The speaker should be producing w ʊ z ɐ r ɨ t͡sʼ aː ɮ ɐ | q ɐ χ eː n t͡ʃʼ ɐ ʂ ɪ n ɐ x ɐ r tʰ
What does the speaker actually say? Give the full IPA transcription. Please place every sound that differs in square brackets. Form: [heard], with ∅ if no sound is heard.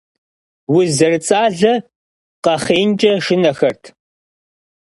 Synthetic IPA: w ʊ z ɐ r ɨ t͡sʼ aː ɮ ɐ | q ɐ χ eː n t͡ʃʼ ɐ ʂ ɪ n ɐ x ɐ r tʰ